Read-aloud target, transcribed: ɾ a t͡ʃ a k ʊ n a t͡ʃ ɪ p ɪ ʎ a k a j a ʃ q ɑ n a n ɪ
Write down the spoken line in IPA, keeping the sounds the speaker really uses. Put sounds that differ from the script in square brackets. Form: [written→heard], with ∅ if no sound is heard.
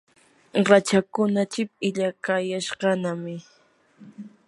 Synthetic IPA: ɾ a t͡ʃ a k ʊ n a t͡ʃ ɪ p ɪ ʎ a k a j a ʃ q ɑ n a [n→m] ɪ